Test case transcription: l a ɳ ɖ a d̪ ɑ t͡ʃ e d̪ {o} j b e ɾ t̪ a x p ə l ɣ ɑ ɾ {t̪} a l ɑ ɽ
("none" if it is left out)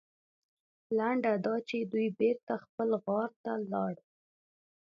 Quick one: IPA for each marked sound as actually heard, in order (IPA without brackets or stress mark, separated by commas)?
u, t̪